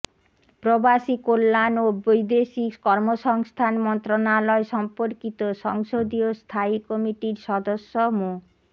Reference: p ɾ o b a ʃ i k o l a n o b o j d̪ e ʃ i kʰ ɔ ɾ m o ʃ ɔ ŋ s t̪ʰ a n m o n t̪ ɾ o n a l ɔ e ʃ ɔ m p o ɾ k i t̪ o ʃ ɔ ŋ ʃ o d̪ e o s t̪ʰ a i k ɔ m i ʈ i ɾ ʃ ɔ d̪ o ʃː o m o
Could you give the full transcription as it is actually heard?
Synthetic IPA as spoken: p ɾ o b a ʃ i k o lː a n o b o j d̪ e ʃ i k ɔ ɾ m o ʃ ɔ ŋ s t̪ʰ a n m ɔ n t̪ ɾ o n a l ɔ e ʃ ɔ m p o ɾ k i t̪ o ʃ ɔ ŋ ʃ o d̪ i o s t̪ʰ a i k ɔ m i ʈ i ɾ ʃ ɔ d̪ o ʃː o m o